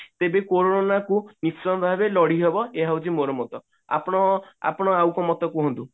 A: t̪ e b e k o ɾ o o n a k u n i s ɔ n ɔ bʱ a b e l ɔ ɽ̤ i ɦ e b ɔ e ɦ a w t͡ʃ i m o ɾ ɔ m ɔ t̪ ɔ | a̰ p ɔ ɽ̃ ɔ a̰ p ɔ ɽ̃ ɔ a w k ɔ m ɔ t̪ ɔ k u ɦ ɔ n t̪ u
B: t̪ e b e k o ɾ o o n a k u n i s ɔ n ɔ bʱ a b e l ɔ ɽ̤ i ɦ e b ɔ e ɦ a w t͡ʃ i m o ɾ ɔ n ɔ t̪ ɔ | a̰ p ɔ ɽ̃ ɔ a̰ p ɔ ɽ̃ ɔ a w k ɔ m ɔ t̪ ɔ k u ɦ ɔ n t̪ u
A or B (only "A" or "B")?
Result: A